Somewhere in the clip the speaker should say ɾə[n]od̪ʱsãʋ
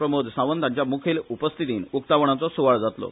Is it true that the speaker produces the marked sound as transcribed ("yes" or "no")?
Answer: no